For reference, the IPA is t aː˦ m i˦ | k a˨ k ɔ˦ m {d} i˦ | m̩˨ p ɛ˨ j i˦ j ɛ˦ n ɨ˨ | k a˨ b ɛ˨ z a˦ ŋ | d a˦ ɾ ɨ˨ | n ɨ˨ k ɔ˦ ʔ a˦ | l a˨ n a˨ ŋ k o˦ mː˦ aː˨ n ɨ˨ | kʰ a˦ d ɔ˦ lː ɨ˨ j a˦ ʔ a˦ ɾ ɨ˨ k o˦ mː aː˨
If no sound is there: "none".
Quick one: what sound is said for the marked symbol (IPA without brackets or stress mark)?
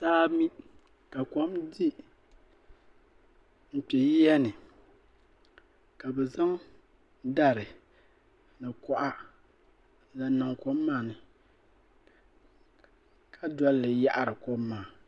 d